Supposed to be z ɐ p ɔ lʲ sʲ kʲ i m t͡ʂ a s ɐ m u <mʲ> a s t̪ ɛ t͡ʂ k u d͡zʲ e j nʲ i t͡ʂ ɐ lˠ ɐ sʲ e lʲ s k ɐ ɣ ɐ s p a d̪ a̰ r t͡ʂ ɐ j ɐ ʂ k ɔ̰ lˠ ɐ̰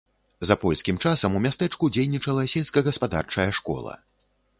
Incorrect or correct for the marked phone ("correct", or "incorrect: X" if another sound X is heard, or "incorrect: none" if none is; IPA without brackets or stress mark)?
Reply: correct